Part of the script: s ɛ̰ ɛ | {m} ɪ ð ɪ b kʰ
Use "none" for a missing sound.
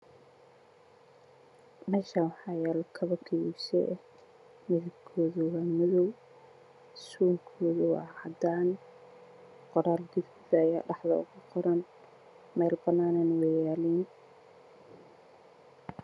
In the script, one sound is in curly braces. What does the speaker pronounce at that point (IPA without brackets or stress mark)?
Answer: m